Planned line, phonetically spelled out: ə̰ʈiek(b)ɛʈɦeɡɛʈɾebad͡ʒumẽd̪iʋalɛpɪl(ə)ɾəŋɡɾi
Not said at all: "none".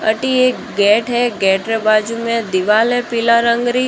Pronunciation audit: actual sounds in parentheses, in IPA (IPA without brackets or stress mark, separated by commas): ɡ, a